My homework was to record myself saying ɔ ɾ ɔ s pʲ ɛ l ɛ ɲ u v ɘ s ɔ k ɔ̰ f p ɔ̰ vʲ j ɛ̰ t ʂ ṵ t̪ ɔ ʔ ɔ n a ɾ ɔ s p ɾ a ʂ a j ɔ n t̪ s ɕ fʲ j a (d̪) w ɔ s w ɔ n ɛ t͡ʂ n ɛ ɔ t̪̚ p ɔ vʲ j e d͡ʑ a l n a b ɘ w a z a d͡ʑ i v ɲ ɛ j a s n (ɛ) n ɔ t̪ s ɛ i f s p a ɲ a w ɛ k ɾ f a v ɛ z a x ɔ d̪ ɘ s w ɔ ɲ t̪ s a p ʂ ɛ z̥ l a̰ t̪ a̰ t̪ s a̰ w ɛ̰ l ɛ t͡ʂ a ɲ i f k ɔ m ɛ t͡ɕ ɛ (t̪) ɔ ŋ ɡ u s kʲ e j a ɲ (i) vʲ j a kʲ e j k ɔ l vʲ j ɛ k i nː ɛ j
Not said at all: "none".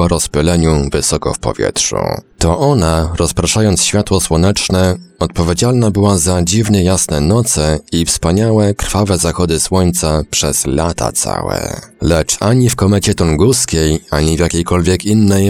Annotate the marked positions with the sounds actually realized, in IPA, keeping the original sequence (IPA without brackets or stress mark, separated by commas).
t̪, ɛ, t̪, i